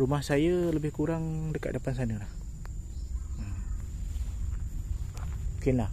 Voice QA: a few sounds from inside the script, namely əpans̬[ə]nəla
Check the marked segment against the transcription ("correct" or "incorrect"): incorrect